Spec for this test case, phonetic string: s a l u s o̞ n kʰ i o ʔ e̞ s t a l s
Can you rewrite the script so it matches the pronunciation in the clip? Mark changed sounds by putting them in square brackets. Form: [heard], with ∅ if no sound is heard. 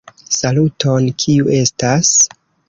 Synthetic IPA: s a l u [t] o̞ n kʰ i [u] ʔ e̞ s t a [∅] s